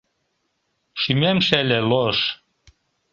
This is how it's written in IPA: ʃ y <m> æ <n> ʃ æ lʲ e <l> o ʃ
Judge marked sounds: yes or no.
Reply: yes, no, yes

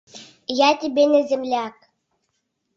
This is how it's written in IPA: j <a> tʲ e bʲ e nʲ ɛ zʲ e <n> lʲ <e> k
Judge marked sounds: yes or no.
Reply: yes, no, no

